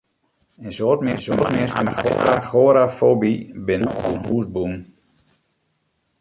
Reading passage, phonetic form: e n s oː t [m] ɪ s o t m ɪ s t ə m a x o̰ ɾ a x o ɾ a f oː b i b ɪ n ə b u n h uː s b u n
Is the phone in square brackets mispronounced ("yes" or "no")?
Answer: no